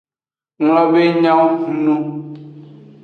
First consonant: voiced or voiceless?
voiced